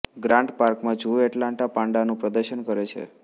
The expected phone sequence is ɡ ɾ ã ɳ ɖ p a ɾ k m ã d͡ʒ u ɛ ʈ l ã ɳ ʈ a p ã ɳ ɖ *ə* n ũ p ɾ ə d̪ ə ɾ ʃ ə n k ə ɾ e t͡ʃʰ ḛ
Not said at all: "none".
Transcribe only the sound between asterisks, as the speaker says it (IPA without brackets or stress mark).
a